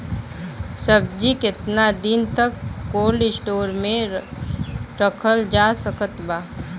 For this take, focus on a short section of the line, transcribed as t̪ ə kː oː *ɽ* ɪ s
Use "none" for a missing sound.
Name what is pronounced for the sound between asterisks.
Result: l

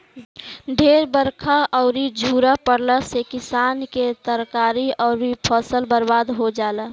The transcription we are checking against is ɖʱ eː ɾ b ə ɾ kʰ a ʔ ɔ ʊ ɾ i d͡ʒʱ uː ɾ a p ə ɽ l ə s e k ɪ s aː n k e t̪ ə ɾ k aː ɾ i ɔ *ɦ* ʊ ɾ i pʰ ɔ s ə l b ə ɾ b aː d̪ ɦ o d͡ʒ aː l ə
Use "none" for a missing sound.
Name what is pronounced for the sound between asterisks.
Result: none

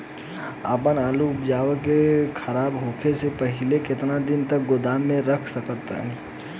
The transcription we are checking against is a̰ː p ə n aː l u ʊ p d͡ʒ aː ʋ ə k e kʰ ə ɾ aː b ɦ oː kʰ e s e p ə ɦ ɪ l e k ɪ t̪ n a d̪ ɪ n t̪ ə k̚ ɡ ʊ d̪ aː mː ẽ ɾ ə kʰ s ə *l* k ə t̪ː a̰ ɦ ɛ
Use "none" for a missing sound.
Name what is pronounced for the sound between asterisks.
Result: none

